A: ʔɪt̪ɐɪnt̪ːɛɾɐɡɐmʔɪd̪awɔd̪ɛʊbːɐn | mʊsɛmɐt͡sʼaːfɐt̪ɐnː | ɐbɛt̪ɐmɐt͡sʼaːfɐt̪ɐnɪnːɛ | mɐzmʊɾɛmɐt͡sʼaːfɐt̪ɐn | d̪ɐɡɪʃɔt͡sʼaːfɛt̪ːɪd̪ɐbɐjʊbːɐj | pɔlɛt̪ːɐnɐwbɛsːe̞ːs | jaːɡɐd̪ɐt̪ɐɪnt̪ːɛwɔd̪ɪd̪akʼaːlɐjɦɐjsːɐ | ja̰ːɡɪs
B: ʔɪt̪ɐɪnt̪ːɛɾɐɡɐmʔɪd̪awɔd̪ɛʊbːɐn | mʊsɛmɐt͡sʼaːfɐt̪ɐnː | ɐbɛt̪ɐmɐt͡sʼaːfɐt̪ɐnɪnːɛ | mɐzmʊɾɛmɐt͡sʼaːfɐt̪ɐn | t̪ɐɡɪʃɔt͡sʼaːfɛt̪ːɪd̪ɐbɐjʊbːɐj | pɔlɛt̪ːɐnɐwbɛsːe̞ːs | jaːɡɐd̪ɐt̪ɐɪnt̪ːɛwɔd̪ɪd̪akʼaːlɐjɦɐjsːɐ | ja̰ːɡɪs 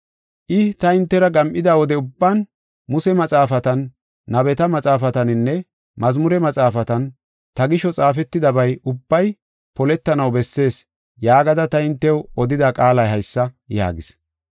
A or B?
B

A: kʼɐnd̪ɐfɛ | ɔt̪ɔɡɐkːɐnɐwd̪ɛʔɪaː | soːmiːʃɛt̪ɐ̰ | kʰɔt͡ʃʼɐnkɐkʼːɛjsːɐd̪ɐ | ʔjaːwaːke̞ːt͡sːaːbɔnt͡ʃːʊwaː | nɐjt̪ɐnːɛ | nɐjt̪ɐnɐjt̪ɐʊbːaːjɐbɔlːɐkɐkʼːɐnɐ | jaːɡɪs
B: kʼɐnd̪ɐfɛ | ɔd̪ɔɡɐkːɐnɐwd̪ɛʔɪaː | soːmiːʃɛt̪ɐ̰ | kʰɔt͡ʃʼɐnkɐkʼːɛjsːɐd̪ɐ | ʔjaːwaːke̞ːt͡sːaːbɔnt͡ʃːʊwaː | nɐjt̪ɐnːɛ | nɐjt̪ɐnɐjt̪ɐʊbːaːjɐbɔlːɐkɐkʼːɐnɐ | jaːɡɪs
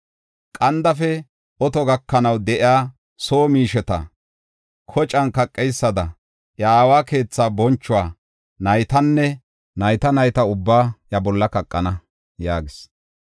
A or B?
A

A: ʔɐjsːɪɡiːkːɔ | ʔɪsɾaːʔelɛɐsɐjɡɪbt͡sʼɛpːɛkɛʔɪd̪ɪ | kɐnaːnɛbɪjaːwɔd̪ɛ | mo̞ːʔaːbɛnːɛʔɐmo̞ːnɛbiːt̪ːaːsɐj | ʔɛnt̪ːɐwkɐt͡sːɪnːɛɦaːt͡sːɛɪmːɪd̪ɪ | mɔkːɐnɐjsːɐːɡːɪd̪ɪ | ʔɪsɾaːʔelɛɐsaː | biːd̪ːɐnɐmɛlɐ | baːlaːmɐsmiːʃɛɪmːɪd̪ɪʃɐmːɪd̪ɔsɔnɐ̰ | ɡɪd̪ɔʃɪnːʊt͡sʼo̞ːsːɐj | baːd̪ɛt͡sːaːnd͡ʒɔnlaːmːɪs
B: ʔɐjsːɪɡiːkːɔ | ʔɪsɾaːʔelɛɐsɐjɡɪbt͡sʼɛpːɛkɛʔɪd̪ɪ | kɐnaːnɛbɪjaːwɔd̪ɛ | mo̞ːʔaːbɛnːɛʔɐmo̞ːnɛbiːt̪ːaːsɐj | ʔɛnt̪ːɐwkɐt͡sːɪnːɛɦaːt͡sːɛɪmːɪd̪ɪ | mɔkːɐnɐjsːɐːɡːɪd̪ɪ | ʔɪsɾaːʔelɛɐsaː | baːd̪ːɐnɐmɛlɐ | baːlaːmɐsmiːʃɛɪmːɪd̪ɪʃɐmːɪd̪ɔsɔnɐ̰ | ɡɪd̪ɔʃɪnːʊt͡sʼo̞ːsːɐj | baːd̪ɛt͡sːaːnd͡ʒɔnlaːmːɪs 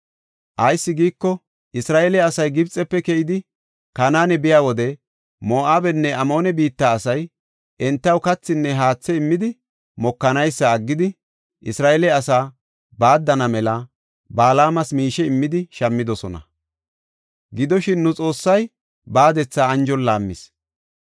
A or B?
B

